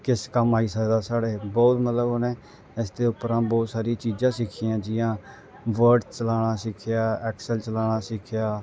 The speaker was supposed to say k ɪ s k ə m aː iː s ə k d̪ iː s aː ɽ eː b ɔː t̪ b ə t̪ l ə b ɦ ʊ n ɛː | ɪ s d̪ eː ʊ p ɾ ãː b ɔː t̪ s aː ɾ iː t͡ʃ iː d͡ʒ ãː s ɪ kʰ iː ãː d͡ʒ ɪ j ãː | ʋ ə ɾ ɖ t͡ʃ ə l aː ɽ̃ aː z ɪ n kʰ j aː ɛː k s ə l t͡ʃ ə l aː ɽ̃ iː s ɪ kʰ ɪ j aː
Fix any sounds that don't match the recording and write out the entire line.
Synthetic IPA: k ɪ s k ə m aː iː s ə k d̪ aː s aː ɽ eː b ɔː t̪ m ə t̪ l ə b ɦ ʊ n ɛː | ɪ s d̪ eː ʊ p ɾ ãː b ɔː t̪ s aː ɾ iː t͡ʃ iː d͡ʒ ãː s ɪ kʰ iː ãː d͡ʒ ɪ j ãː | ʋ ə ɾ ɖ t͡ʃ ə l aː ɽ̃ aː s ɪ kʰ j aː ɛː k s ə l t͡ʃ ə l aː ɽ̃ aː s ɪ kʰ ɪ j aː